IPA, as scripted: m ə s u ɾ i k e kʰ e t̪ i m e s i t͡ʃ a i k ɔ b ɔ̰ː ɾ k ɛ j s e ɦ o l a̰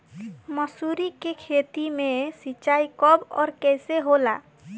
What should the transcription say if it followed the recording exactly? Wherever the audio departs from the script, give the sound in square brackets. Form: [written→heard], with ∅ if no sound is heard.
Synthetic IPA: m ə s u ɾ i k e kʰ e t̪ i m e s i t͡ʃ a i k ɔ b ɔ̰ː ɾ k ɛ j s e ɦ o l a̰